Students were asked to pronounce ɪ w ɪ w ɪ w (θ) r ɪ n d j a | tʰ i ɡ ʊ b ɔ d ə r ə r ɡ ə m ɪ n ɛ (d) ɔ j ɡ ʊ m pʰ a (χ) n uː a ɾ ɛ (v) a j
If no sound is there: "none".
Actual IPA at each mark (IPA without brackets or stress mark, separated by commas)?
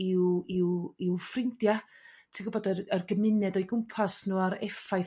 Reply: f, d, s, f